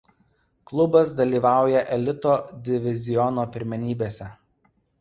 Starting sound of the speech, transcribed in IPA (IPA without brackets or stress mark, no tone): k